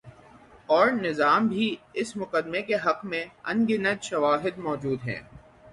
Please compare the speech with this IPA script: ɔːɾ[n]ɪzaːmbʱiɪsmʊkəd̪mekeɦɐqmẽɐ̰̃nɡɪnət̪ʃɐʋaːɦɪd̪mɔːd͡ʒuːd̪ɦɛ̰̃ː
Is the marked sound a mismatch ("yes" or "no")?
no